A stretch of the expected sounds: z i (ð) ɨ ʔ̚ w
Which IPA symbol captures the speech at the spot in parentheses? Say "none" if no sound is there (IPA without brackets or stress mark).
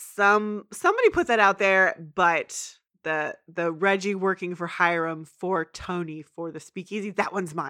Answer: ð